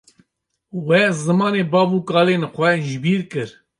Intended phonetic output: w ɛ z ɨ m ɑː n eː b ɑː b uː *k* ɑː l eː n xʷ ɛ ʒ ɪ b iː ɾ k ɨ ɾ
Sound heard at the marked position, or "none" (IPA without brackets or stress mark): k